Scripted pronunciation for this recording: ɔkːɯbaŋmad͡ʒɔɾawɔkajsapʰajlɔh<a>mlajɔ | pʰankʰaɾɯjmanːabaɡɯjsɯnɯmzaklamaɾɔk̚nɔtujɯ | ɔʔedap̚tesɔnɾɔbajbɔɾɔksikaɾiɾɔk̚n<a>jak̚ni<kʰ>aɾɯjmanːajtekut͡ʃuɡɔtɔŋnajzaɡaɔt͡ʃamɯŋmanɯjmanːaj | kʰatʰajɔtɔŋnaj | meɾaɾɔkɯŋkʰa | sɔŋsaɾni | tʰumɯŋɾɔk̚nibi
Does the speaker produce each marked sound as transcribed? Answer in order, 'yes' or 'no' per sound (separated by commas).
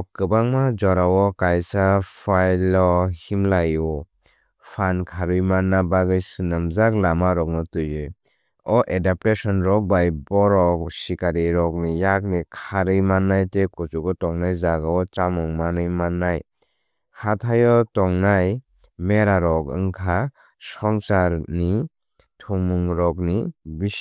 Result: no, no, yes